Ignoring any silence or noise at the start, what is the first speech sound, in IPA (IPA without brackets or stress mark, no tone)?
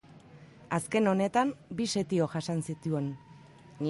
a